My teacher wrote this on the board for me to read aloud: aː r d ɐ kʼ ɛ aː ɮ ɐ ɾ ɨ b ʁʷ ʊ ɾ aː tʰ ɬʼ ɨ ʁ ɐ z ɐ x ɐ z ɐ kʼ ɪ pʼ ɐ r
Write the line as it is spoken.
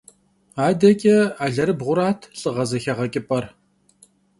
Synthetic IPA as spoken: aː d ɐ kʼ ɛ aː ɮ ɐ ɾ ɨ b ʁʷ ʊ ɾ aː tʰ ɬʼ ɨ ʁ ɐ z ɐ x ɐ ʁ ɐ kʼ ɪ pʼ ɐ r